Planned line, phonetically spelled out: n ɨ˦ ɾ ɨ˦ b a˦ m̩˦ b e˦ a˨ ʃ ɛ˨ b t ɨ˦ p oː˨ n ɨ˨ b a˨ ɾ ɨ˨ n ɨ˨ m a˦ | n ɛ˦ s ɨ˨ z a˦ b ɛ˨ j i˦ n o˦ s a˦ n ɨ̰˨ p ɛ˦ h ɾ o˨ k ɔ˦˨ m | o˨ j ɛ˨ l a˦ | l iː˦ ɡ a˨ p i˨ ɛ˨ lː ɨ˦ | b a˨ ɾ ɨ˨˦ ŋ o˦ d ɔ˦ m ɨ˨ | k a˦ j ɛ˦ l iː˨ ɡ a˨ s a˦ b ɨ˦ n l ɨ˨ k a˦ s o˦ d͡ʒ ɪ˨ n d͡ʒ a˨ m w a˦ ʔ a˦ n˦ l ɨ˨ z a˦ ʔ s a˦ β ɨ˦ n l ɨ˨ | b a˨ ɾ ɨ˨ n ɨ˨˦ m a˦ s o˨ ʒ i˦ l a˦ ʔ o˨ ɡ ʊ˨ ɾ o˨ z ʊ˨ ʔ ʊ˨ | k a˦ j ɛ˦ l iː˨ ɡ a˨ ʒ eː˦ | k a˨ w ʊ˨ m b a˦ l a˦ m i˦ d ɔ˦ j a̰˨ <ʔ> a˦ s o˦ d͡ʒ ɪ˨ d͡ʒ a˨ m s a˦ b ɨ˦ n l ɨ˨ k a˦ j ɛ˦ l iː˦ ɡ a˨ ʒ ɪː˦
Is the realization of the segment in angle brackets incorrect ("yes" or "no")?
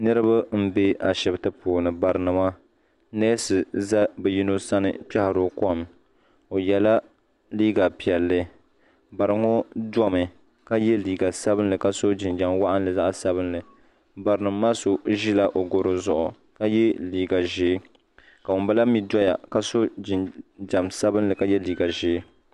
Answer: yes